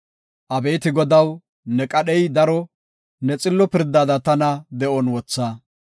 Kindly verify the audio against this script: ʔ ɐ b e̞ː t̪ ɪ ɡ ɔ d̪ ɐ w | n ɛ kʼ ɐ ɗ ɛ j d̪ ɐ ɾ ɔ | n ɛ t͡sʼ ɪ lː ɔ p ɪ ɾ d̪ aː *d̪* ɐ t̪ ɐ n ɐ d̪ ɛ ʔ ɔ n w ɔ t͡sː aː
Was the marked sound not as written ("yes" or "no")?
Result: no